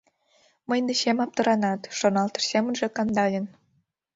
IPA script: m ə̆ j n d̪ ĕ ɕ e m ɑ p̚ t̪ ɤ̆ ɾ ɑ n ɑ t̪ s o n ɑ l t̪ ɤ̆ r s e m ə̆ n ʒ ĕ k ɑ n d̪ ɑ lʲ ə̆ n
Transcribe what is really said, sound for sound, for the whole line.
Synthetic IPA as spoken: m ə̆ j n d̪ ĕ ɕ e m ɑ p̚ t̪ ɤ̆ ɾ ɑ n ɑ t̪ ʃ o n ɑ l t̪ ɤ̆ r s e m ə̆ n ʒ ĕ k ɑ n d̪ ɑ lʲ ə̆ n